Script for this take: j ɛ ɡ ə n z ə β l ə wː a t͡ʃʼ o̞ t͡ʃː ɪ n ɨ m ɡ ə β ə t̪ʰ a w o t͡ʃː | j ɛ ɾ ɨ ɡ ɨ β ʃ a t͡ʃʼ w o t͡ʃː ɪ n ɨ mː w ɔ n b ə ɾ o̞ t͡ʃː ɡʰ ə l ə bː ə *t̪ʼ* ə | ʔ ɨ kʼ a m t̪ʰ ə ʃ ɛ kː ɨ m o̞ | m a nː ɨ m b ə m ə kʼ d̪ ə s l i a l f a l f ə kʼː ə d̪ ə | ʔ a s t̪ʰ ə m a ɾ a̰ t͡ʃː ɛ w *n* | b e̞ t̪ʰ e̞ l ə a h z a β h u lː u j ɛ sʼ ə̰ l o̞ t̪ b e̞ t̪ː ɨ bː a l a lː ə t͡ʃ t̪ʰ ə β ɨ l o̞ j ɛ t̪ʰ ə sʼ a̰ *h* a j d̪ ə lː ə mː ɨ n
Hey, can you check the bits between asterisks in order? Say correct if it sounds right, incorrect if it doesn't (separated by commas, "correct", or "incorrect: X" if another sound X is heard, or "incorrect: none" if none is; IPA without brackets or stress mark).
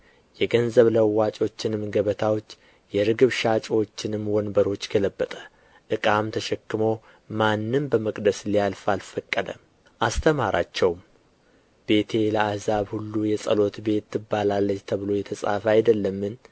correct, incorrect: m, incorrect: f